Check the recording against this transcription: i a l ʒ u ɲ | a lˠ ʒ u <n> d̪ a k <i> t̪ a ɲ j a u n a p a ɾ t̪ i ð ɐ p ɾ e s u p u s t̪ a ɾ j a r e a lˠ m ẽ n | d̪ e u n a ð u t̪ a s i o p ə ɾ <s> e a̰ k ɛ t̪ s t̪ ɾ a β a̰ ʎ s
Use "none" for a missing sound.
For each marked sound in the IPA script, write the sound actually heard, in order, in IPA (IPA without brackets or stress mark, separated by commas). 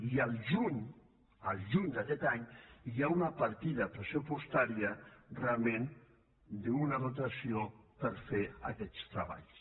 ɲ, ɛ, f